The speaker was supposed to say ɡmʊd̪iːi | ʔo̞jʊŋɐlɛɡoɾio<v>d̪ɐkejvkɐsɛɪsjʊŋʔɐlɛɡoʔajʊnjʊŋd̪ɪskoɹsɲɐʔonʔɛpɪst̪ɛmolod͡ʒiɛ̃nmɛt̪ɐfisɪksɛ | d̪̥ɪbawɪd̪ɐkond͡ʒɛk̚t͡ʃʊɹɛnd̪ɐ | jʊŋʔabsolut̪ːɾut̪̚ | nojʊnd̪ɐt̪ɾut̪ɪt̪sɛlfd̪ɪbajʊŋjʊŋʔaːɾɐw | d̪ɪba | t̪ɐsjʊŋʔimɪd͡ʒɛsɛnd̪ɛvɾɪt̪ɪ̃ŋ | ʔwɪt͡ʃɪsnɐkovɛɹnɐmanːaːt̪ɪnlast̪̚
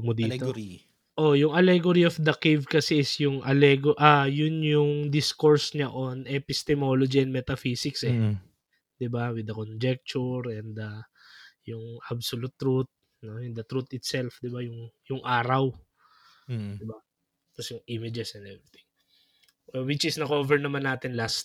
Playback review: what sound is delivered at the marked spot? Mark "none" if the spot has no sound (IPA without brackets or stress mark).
f